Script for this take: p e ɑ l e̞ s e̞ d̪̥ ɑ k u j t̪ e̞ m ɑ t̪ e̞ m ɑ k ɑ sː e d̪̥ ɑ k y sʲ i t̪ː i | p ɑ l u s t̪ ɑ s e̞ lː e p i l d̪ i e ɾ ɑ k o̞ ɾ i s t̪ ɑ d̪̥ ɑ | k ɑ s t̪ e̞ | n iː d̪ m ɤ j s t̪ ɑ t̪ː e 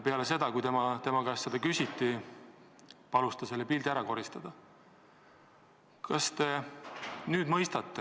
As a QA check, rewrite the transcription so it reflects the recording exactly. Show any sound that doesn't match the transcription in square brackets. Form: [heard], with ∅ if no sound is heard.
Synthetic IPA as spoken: p e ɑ l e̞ s e̞ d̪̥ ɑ k u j t̪ e̞ m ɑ t̪ e̞ m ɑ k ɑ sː e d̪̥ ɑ k y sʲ i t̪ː i | p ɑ l u s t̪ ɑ s e̞ lː e p i l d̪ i [æ] ɾ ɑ k o̞ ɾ i s t̪ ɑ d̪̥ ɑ | k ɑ s t̪ e̞ | n [yː] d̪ m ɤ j s t̪ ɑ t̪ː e